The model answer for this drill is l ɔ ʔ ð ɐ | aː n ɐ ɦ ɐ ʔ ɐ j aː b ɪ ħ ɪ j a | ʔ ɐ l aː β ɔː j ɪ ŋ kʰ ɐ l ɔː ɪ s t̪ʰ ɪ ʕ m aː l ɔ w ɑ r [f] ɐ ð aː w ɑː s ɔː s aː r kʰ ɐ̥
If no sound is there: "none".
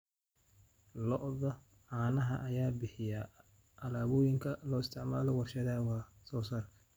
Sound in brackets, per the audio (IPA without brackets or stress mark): ʃ